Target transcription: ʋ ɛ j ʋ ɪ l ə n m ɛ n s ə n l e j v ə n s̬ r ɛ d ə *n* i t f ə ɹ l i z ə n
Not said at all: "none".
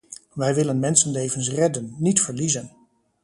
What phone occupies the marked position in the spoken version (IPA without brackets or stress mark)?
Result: nː